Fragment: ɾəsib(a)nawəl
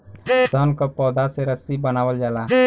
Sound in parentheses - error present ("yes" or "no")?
yes